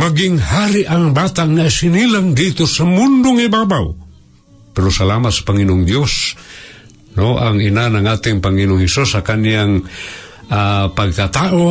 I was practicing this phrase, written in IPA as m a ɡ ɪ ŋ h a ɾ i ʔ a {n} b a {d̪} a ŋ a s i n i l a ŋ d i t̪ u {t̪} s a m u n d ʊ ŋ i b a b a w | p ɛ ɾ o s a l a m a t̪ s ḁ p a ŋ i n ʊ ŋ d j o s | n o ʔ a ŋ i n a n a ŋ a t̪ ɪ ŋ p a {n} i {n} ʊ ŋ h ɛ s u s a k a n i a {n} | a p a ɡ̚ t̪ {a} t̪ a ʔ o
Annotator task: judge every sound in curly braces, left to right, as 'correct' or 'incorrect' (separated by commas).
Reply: incorrect, incorrect, incorrect, incorrect, correct, incorrect, correct